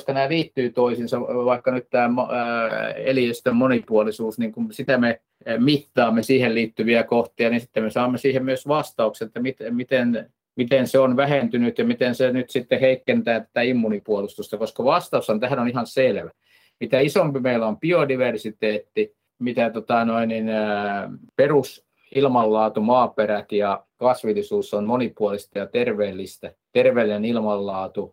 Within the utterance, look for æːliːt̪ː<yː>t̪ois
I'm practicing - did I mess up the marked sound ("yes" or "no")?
no